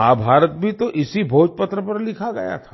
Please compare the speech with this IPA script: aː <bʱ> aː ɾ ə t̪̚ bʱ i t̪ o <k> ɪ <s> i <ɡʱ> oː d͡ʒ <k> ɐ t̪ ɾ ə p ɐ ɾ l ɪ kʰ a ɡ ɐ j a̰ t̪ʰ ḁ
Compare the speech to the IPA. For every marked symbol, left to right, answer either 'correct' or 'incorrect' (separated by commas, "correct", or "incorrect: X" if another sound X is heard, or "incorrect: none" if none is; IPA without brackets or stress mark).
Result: correct, incorrect: ʔ, correct, incorrect: bʱ, incorrect: p